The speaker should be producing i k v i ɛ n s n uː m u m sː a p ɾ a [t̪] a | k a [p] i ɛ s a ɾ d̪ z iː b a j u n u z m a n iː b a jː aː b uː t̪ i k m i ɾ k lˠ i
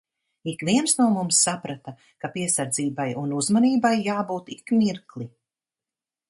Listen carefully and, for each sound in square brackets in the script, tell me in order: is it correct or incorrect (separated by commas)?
correct, correct